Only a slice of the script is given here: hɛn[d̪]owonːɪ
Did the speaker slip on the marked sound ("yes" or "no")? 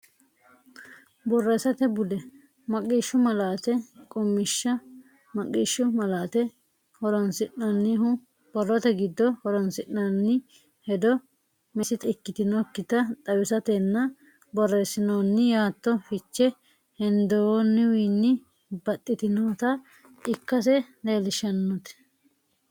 no